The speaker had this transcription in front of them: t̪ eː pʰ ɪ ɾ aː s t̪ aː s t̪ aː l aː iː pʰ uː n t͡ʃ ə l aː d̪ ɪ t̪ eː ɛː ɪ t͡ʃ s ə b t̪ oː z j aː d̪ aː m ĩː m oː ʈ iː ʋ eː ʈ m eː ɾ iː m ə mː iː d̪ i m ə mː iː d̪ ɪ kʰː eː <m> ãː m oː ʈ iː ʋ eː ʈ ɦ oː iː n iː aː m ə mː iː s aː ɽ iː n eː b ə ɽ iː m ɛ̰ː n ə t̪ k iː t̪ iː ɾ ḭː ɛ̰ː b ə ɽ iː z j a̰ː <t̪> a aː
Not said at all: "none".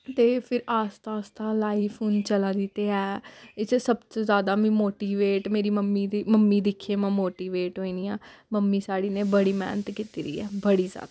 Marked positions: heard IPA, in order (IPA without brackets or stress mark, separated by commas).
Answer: m, d̪